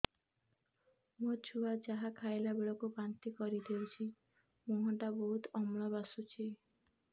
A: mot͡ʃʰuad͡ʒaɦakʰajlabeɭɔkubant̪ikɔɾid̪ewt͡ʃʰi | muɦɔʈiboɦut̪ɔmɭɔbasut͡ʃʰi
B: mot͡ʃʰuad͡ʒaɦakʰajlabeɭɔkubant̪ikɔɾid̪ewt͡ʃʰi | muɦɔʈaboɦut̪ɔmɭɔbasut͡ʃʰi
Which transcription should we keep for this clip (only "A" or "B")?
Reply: B